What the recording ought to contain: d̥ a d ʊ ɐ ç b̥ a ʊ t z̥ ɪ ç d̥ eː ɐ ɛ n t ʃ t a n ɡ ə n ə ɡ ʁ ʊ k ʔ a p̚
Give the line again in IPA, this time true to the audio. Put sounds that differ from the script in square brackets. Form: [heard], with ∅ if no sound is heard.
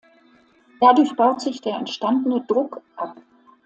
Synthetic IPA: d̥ a d ʊ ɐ ç b̥ a ʊ t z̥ ɪ ç d̥ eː ɐ ɛ n t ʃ t a n [d] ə n ə [d] ʁ ʊ k ʔ a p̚